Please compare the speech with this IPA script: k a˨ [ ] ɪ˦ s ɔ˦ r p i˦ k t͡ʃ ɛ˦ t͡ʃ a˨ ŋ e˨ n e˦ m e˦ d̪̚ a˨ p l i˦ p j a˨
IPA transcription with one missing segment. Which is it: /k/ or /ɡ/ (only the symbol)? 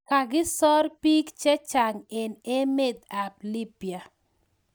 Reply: ɡ